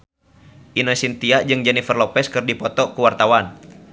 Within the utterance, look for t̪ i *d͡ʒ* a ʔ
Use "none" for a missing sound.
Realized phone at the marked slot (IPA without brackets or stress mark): none